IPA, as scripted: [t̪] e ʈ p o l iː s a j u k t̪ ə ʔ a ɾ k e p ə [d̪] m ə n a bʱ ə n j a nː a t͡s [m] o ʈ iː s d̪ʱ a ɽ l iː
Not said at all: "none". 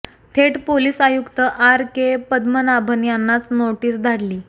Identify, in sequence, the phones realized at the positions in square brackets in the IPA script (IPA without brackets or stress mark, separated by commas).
t̪ʰ, d̪, n